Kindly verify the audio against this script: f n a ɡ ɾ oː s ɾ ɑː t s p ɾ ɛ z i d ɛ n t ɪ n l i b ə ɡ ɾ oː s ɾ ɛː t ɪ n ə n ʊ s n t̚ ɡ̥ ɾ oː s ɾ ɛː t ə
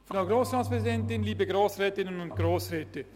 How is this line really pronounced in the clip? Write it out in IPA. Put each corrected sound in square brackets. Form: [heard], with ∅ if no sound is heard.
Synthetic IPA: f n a ɡ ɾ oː s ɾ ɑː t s p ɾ ɛ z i d ɛ n t ɪ n l [iː] b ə ɡ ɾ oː s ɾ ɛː t ɪ n ə n ʊ [∅] n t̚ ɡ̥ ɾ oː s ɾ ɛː t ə